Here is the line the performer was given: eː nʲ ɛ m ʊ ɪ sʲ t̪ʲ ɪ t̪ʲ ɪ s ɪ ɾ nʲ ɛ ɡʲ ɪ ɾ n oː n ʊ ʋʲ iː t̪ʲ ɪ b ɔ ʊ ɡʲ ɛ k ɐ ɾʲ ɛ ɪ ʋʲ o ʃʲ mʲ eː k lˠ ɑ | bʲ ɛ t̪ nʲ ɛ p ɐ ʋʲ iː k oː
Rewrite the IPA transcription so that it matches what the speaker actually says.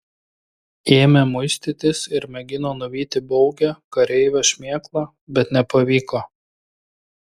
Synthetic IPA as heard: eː mʲ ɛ m ʊ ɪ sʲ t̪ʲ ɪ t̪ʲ ɪ s ɪ ɾ mʲ ɛ ɡʲ ɪ n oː n ʊ ʋʲ iː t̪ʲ ɪ b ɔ ʊ ɡʲ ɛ k ɐ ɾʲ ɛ ɪ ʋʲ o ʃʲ mʲ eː k lˠ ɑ | bʲ ɛ t̪ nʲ ɛ p ɐ ʋʲ iː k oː

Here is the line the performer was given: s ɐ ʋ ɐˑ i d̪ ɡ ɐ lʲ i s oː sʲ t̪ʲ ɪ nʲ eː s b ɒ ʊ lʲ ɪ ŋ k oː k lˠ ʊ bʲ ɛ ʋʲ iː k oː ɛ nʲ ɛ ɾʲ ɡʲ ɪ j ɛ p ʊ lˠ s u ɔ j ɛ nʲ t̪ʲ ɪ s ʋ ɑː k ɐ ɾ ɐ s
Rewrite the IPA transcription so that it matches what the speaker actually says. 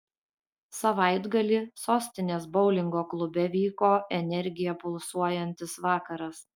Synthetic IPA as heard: s ɐ ʋ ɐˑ ɪ d̪ ɡ ɐ lʲ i s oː sʲ t̪ʲ ɪ nʲ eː s b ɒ ʊ lʲ ɪ ŋ ɡ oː k lˠ ʊ bʲ ɛ ʋʲ iː k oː ɛ nʲ ɛ ɾʲ ɡʲ ɪ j ɛ p ʊ lˠ s u ɔ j ɛ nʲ t̪ʲ ɪ s ʋ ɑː k ɐ ɾ ɐ s

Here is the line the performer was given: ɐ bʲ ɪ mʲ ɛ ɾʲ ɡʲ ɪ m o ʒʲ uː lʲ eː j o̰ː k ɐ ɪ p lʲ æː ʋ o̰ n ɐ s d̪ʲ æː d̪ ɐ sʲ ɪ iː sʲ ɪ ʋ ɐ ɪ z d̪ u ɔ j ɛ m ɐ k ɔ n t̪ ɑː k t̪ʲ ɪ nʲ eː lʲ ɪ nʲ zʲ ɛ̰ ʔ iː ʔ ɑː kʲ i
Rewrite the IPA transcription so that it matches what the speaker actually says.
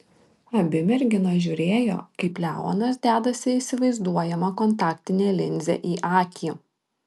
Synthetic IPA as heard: ɐ bʲ ɪ mʲ ɛ ɾʲ ɡʲ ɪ n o ʒʲ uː ɾʲ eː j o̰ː k ɐ ɪ p lʲ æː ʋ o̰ n ɐ s d̪ʲ æː d̪ ɐ sʲ ɪ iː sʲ ɪ ʋ ɐ ɪ z d̪ u ɔ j ɛ m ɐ k ɔ n t̪ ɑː k t̪ʲ ɪ nʲ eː lʲ ɪ nʲ zʲ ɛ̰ ʔ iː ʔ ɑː kʲ i

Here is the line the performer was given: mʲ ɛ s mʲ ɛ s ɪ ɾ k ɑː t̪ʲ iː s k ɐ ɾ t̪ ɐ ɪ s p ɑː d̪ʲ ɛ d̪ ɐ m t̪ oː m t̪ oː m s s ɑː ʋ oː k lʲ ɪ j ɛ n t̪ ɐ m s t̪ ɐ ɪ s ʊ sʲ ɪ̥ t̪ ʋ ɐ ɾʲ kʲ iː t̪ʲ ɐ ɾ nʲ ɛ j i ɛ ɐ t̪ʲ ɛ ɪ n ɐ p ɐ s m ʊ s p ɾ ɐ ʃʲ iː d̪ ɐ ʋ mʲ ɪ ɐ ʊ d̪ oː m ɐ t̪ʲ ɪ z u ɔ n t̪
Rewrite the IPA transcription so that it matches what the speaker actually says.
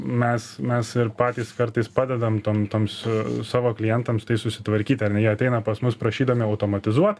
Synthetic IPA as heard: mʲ ɛ s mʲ ɛ s ɪ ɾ p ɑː t̪ʲ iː s k ɐ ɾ t̪ ɐ ɪ s p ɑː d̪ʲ ɛ d̪ ɐ m t̪ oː m t̪ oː m s s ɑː ʋ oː k lʲ ɪ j ɛ n t̪ ɐ m s t̪ ɐ ɪ s ʊ sʲ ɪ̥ t̪ ʋ ɐ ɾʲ kʲ iː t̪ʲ ɐ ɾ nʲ ɛ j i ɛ ɐ t̪ʲ ɛ ɪ n ɐ p ɐ s m ʊ s p ɾ ɐ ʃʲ iː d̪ ɐ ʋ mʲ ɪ ɐ ʊ t̪ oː m ɐ t̪ʲ ɪ z u ɔ t̪

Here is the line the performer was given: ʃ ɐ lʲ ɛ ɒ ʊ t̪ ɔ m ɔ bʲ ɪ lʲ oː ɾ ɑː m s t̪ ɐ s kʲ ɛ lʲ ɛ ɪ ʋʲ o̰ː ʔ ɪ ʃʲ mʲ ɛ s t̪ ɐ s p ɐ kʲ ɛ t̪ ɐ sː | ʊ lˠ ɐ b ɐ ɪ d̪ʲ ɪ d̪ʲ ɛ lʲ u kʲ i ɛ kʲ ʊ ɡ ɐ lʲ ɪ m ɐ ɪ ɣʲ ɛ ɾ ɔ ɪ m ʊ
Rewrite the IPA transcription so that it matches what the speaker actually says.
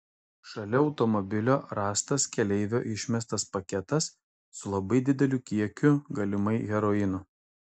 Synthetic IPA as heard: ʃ ɐ lʲ ɛ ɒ ʊ t̪ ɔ m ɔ bʲ ɪ lʲ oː ɾ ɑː s t̪ ɐ s kʲ ɛ lʲ ɛ ɪ ʋʲ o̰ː ʔ ɪ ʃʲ mʲ ɛ s t̪ ɐ s p ɐ kʲ ɛ t̪ ɐ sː | ʊ lˠ ɐ b ɐ ɪ d̪ʲ ɪ d̪ʲ ɛ lʲ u kʲ i ɛ kʲ ʊ ɡ ɐ lʲ ɪ m ɐ ɪ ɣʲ ɛ ɾ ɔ ɪ n ʊ

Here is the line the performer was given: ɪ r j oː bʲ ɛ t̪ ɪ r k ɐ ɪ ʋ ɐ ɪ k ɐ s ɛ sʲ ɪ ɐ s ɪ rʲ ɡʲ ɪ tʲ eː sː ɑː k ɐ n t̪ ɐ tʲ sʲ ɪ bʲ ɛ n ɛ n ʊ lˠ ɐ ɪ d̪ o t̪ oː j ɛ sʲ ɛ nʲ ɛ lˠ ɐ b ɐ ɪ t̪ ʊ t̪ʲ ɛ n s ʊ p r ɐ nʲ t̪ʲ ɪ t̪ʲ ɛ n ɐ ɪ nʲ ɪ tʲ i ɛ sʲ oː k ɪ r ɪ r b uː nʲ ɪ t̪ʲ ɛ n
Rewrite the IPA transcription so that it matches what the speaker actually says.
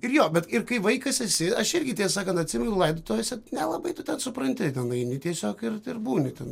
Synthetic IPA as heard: ɪ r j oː bʲ ɛ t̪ ɪ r k ɐ ɪ ʋ ɐ ɪ k ɐ s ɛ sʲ ɪ ɐ ʃ ɪ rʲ ɡʲ ɪ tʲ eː s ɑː k ɐ n t̪ ɐ tʲ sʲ ɪ mʲ ɛ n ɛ n ʊ lˠ ɐ ɪ d̪ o t̪ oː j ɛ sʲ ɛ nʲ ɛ lˠ ɐ b ɐ ɪ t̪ ʊ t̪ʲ ɛ n s ʊ p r ɐ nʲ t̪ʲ ɪ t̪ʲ ɛ n ɐ ɪ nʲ ɪ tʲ i ɛ sʲ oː k ɪ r ɪ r b uː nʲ ɪ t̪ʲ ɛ n

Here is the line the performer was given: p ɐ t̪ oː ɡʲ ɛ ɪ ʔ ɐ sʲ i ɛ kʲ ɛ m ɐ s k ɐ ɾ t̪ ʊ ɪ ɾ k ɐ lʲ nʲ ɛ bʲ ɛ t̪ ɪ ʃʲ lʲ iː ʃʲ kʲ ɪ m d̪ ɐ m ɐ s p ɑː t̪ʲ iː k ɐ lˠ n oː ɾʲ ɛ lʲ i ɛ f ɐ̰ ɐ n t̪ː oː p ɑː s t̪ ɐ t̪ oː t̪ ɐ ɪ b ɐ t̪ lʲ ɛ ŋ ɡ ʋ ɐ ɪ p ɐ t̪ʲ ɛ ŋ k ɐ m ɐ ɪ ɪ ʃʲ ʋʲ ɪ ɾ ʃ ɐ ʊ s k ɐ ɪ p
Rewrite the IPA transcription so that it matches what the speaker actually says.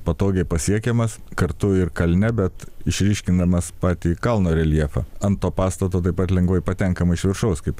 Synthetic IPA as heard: p ɐ t̪ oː ɡʲ ɛ ɪ p ɐ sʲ i ɛ kʲ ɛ m ɐ s k ɐ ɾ t̪ ʊ ɪ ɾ k ɐ lʲ nʲ ɛ bʲ ɛ t̪ ɪ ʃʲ ɾʲ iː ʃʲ kʲ ɪ n d̪ ɐ m ɐ s p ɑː t̪ʲ iː k ɐ lˠ n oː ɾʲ ɛ lʲ i ɛ f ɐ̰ ɐ n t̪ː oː p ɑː s t̪ ɐ t̪ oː t̪ ɐ ɪ p ɐ t̪ lʲ ɛ ŋ ɡ ʋ ɐ ɪ p ɐ t̪ʲ ɛ ŋ k ɐ m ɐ ɪ ɪ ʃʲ ʋʲ ɪ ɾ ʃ ɐ ʊ s k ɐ ɪ p

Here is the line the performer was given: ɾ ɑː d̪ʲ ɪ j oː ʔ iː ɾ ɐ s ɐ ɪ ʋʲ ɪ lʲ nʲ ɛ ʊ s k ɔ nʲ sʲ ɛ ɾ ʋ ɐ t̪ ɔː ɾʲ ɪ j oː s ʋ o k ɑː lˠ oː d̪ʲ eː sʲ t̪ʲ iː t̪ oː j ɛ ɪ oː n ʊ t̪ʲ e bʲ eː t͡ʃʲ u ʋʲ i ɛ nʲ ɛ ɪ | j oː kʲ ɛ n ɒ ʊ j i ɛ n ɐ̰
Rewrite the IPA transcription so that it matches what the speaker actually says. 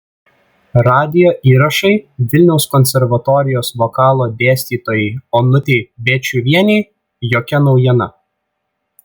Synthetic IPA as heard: ɾ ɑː d̪ʲ ɪ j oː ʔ iː ɾ ɐ ʃ ɐ ɪ ʋʲ ɪ lʲ nʲ ɛ ʊ s k ɔ nʲ sʲ ɛ ɾ ʋ ɐ t̪ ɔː ɾʲ ɪ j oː s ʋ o k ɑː lˠ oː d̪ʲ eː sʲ t̪ʲ iː t̪ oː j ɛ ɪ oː n ʊ t̪ʲ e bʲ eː t͡ʃʲ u ʋʲ i ɛ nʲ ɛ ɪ | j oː kʲ ɛ n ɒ ʊ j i ɛ n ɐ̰

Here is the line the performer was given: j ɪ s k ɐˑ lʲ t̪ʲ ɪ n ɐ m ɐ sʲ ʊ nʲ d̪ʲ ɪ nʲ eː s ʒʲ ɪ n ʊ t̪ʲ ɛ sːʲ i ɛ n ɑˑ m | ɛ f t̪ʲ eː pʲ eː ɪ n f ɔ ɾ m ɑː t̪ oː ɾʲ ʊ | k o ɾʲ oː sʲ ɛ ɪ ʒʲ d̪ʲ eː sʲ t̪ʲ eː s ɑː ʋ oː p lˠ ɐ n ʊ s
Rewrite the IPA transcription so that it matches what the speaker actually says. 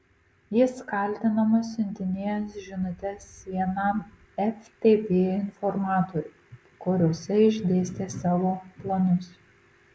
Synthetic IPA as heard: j ɪ s k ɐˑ lʲ t̪ʲ ɪ n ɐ m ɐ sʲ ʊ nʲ t̪ʲ ɪ nʲ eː s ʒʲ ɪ n ʊ t̪ʲ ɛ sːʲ i ɛ n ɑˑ m | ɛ f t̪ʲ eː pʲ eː ɪ n f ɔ ɾ m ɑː t̪ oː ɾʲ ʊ | k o ɾʲ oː sʲ ɛ ɪ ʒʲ d̪ʲ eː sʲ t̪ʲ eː s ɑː ʋ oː p lˠ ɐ n ʊ s

